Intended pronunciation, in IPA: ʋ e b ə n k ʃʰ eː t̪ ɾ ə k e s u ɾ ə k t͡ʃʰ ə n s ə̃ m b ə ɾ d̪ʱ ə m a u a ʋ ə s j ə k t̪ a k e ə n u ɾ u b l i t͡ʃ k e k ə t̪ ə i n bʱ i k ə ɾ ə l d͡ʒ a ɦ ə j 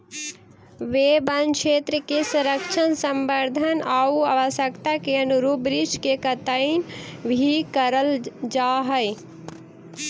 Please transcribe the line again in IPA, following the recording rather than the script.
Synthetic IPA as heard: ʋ e b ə n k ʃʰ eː t̪ ɾ ə k e s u ɾ ə k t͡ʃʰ ə n s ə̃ m b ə ɾ d̪ʱ ə n a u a ʋ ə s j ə k t̪ a k e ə n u ɾ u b ɾ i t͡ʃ k e k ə t̪ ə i n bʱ i k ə ɾ ə l d͡ʒ a ɦ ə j